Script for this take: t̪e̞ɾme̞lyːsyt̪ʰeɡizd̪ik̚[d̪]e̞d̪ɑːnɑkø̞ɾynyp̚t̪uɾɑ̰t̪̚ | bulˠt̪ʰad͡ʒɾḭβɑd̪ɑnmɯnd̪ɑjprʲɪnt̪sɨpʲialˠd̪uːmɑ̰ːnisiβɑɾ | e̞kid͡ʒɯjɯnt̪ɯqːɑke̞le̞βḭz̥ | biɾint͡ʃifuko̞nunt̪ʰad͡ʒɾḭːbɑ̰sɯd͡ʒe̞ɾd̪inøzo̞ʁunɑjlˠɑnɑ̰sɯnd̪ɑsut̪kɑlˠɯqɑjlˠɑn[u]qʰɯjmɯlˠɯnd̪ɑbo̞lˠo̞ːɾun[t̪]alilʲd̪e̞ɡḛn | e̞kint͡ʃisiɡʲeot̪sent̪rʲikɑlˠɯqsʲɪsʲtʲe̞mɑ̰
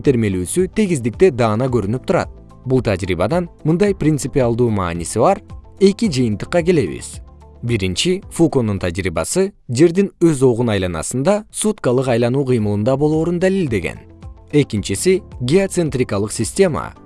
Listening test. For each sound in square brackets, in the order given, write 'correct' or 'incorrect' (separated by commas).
incorrect, incorrect, incorrect